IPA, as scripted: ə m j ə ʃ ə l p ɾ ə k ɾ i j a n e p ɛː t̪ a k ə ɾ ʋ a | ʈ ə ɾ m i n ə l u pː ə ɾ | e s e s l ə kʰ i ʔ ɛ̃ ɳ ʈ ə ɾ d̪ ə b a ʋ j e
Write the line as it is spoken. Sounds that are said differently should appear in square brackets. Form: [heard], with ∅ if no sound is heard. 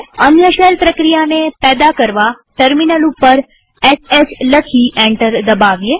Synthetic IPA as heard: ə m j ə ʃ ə l p ɾ ə k ɾ i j a n e p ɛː [d̪] a k ə ɾ ʋ a | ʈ ə ɾ m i n ə l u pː ə ɾ | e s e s l ə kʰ i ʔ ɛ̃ ɳ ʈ ə ɾ d̪ ə b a ʋ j e